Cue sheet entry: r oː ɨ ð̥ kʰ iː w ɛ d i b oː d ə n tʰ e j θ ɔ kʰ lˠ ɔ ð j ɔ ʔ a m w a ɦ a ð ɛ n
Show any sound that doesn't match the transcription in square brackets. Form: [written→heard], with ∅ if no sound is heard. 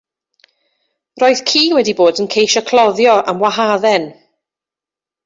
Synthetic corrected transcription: r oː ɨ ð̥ kʰ iː w ɛ d i b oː d ə n [tʰ→kʰ] e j [θ→ʃ] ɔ kʰ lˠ ɔ ð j ɔ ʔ a m w a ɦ a ð ɛ n